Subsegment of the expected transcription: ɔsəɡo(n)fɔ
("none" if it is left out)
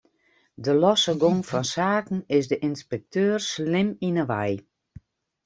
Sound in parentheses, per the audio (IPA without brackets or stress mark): ŋ